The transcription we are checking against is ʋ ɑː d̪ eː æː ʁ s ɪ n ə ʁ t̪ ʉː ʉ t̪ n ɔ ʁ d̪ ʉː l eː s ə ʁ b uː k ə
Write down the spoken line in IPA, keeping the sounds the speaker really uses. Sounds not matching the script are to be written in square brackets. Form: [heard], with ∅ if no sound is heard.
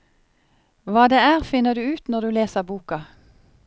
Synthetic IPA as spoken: ʋ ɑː d̪ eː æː ʁ [f] ɪ n ə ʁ [d̪] ʉː [ʉː] t̪ n ɔ ʁ d̪ ʉː l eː s ə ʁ b uː k [ɑ]